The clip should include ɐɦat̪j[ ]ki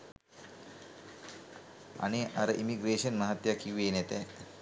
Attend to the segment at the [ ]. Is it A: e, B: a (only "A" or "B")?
B